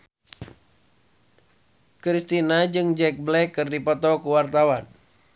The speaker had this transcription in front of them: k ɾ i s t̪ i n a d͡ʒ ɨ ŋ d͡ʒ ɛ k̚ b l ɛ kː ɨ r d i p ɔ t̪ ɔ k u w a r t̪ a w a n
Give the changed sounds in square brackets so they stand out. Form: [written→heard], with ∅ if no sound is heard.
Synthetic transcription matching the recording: k ɾ i s t̪ i n a d͡ʒ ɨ ŋ d͡ʒ ɛ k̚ b l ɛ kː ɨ r d i p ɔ t̪ ɔ k u w a r t̪ a w a n